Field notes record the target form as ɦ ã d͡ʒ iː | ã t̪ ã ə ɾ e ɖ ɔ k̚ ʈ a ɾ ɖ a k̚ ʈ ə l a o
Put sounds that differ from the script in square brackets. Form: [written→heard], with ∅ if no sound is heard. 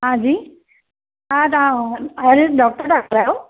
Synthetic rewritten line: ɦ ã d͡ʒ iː | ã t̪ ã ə ɾ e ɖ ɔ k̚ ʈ [a→ə] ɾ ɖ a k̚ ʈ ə [l→ɾ] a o